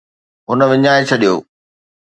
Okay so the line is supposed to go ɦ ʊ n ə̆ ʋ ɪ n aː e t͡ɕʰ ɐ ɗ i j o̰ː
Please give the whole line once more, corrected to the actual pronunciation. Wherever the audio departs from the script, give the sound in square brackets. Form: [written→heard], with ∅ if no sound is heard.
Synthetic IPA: ɦ ʊ n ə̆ ʋ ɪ [n→ɲ] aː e t͡ɕʰ ɐ ɗ i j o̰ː

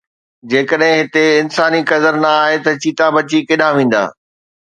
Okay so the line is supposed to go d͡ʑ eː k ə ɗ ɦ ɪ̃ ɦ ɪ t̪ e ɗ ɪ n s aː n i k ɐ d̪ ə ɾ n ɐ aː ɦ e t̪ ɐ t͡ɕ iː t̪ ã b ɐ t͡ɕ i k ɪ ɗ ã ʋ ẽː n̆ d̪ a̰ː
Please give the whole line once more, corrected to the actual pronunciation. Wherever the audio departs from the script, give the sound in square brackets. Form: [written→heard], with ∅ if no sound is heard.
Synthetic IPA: d͡ʑ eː k ə ɗ ɦ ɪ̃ ɦ ɪ t̪ e [ɗ→∅] ɪ n s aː n i k ɐ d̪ ə ɾ n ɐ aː ɦ e t̪ ɐ t͡ɕ iː t̪ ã b ɐ t͡ɕ i k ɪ ɗ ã ʋ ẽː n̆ d̪ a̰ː

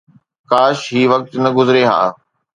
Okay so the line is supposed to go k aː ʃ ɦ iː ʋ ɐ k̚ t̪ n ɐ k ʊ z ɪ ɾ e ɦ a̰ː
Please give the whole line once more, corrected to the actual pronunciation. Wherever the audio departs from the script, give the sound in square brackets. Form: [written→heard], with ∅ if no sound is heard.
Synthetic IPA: k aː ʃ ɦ iː ʋ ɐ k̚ t̪ n ɐ [k→ɡ] ʊ z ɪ ɾ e ɦ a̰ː

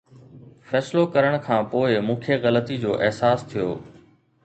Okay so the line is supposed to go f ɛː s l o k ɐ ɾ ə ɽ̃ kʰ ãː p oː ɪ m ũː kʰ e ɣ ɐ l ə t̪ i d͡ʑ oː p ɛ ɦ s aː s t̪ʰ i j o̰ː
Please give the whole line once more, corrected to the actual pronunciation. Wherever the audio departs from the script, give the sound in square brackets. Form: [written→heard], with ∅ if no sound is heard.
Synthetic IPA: f ɛː s l o k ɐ ɾ ə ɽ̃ kʰ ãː p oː ɪ m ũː kʰ e ɣ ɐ l ə t̪ i d͡ʑ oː [p→ʔ] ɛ ɦ s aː s t̪ʰ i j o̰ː

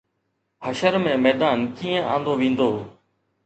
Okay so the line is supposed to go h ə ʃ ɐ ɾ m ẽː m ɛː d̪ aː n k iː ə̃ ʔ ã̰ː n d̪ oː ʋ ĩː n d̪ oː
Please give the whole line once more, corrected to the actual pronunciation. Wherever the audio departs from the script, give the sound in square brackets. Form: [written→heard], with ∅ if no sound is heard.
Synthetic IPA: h ə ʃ [ɐ→ə] ɾ m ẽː m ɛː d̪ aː n k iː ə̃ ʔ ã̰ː n d̪ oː ʋ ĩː n d̪ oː

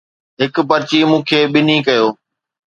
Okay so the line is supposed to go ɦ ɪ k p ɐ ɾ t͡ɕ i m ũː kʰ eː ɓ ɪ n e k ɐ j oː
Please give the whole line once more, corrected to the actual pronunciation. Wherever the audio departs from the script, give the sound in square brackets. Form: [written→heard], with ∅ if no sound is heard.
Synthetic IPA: ɦ ɪ k p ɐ ɾ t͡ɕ i m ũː kʰ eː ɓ ɪ n [e→i] k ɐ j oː

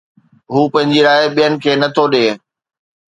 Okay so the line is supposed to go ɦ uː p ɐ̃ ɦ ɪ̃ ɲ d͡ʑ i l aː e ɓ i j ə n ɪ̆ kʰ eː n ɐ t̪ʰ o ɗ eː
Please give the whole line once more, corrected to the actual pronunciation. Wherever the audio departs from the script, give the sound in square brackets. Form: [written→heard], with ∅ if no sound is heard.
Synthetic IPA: ɦ uː p ɐ̃ ɦ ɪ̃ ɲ d͡ʑ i [l→ɾ] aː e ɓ i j ə n ɪ̆ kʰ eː n ɐ t̪ʰ o ɗ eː

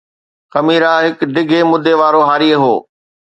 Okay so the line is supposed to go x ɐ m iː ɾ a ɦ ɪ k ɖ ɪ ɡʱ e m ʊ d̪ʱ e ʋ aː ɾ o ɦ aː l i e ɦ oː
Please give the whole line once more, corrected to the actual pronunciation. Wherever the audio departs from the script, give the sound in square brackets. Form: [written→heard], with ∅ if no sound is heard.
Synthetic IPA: x ɐ m iː ɾ a ɦ ɪ k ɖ ɪ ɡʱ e m ʊ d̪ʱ e ʋ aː ɾ o ɦ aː [l→ɾ] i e ɦ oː

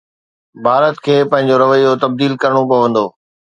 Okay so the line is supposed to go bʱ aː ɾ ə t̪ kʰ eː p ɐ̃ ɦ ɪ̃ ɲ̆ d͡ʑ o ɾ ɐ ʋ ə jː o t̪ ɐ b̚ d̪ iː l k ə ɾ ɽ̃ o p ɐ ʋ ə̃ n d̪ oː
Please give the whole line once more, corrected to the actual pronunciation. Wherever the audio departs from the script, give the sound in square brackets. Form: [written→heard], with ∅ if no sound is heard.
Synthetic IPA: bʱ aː ɾ ə t̪ kʰ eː p ɐ̃ ɦ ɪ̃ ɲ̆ d͡ʑ o ɾ ɐ ʋ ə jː o t̪ ɐ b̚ d̪ iː l k [ə→ɐ] ɾ ɽ̃ o p ɐ ʋ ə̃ n d̪ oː

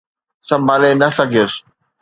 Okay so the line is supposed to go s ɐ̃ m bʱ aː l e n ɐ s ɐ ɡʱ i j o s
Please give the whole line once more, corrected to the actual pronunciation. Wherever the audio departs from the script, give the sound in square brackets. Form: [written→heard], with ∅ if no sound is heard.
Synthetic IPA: s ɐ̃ m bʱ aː l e n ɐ s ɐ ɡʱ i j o s

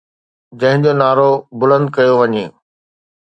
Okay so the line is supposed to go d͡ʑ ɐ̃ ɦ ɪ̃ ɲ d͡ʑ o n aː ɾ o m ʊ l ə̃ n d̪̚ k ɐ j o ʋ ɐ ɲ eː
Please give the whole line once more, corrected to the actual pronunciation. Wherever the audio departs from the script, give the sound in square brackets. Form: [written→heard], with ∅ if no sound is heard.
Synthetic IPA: d͡ʑ ɐ̃ ɦ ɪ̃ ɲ d͡ʑ o n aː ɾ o [m→b] ʊ l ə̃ n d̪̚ k ɐ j o ʋ ɐ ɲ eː

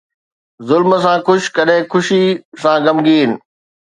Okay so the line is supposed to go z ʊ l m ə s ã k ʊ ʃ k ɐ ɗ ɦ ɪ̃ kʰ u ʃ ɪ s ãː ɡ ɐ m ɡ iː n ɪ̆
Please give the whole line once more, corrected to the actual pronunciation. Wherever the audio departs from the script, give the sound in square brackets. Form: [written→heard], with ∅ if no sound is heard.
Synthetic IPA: z ʊ l m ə s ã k ʊ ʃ k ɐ ɗ ɦ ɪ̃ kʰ [u→ʊ] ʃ [ɪ→i] s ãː ɡ ɐ m ɡ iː n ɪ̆

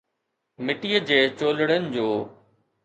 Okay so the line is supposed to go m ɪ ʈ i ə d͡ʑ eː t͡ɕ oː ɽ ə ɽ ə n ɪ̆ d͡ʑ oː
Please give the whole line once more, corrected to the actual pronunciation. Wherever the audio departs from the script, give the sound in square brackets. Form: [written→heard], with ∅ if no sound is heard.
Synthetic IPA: m ɪ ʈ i ə d͡ʑ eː t͡ɕ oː [ɽ→l] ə ɽ ə n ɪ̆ d͡ʑ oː

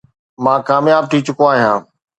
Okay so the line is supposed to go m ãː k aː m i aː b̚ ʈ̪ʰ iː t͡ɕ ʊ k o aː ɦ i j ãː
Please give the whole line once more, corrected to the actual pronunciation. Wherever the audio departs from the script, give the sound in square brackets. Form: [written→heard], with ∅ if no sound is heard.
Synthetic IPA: m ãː k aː m [i→j] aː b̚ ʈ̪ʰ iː t͡ɕ ʊ k o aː ɦ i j ãː

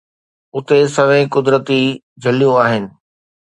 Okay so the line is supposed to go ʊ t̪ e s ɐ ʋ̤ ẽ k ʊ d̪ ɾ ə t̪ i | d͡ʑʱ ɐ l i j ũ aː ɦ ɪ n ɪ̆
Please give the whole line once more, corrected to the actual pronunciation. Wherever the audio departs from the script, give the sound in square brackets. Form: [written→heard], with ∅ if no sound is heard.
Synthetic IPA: ʊ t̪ e s ɐ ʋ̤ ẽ k ʊ d̪ ɾ ə t̪ i | d͡ʑʱ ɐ l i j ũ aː ɦ ɪ n ɪ̆

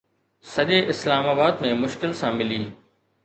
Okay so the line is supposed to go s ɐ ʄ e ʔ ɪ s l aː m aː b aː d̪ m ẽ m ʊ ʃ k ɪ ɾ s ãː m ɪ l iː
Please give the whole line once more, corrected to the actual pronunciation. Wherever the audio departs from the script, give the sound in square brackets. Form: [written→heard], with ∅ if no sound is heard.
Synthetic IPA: s ɐ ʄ e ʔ ɪ s l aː m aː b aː d̪ m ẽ m ʊ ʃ k ɪ [ɾ→l] s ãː m ɪ l iː

